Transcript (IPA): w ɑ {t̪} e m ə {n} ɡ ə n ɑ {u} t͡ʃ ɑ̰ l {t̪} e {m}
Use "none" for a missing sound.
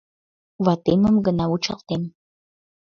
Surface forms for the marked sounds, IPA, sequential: t̪, m, u, t̪, m

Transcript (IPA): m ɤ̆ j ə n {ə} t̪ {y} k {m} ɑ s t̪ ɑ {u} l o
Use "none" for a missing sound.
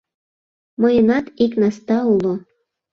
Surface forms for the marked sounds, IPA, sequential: ɑ, i, n, u

